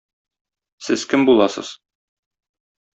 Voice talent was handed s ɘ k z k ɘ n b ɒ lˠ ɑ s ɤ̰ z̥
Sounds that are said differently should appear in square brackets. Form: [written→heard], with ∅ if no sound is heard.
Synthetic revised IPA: s ɘ [k→∅] z k ɘ [n→m] b [ɒ→u] lˠ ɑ s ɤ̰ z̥